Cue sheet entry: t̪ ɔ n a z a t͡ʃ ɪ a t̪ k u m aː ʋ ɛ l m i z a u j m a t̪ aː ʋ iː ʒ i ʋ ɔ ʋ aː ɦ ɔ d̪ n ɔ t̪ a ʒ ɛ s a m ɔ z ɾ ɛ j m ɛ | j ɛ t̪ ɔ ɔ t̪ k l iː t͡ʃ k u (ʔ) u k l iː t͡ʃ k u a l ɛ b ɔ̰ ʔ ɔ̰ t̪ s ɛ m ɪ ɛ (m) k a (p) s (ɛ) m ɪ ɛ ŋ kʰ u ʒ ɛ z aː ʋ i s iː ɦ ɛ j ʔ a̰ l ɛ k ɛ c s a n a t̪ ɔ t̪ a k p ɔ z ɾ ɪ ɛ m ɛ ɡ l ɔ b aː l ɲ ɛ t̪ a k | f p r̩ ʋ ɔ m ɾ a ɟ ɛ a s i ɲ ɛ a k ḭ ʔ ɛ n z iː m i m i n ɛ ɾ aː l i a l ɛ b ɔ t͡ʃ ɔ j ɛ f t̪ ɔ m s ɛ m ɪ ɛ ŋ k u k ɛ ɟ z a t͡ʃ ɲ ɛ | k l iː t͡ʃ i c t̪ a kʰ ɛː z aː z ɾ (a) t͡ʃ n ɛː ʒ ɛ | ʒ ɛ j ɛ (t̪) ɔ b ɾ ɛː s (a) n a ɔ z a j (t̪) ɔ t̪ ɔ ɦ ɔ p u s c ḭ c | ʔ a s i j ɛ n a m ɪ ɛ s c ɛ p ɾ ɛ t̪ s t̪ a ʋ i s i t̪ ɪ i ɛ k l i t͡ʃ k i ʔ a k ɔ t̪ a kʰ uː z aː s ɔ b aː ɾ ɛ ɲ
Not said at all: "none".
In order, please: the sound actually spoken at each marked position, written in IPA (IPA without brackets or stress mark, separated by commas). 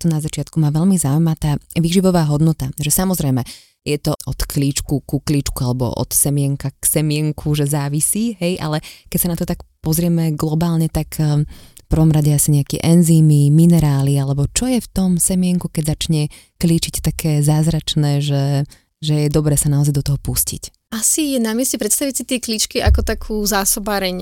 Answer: k, ŋ, k, ɛ, a, d̪, a, d̪